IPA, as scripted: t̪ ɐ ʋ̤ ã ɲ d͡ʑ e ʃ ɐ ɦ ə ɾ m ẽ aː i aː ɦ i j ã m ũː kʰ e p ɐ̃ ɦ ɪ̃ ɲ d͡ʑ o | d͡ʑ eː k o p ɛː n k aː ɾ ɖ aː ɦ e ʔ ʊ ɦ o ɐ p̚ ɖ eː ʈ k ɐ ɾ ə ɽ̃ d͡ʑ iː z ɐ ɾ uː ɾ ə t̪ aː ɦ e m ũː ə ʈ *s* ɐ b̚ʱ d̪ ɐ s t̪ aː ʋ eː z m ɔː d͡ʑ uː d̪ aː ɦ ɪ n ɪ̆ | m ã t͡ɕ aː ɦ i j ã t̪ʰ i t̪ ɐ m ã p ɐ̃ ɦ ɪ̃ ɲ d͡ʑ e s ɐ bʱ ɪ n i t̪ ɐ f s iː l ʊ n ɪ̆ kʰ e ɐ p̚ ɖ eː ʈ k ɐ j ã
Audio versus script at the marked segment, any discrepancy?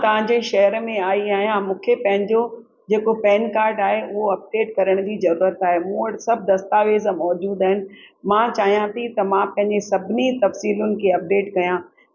no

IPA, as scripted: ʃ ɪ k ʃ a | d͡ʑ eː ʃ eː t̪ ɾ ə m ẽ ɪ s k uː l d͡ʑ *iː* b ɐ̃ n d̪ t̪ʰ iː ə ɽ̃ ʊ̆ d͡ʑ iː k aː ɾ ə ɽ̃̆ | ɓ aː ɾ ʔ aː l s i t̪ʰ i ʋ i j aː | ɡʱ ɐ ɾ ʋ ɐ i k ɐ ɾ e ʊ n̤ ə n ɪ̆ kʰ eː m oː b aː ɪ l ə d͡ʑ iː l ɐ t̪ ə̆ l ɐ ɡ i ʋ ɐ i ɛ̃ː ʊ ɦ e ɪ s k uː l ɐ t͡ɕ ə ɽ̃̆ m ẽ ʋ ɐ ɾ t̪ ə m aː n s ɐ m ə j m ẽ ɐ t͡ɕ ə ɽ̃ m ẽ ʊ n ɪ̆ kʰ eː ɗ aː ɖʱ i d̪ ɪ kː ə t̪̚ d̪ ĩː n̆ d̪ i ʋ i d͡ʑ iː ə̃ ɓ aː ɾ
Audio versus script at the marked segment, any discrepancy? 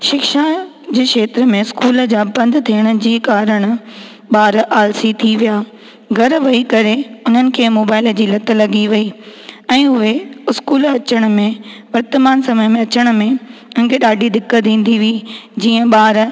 yes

